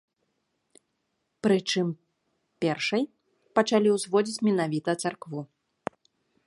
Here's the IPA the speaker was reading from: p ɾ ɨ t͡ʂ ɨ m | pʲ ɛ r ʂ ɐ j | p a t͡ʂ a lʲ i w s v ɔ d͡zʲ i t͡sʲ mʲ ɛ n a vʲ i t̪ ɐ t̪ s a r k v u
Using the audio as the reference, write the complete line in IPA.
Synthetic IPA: p ɾ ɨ t͡ʂ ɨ m | pʲ ɛ r ʂ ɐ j | p ɐ t͡ʂ a lʲ i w z v ɔ d͡zʲ i t͡sʲ mʲ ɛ n a vʲ i t̪ ɐ t̪ s a r k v u